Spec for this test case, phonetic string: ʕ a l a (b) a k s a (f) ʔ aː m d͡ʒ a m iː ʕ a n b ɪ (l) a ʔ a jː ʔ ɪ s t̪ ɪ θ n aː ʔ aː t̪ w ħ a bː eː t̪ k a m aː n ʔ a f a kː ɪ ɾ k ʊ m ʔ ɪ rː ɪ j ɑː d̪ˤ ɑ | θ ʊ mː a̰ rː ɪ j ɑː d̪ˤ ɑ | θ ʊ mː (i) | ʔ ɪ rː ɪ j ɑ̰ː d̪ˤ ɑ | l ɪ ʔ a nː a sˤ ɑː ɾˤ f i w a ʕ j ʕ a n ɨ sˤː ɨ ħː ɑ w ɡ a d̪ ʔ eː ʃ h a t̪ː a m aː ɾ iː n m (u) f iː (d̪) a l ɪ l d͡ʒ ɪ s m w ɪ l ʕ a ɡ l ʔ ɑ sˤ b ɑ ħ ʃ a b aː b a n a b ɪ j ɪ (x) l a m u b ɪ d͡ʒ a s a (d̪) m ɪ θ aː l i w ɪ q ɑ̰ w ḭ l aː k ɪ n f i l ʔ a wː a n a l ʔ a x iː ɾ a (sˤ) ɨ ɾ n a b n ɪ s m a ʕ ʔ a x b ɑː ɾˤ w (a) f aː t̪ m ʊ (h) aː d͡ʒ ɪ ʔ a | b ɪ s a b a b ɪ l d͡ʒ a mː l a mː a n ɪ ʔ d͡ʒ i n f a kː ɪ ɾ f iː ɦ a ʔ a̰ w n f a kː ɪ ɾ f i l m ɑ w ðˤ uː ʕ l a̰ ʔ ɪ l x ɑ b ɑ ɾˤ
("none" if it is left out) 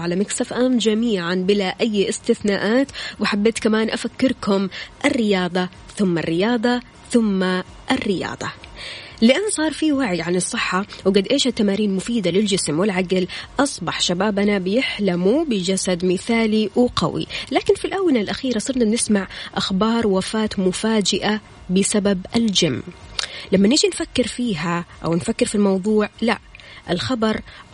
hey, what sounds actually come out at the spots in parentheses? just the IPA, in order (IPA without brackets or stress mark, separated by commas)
m, f, l, a, ʊ, d̪, ħ, d̪, sˤ, a, f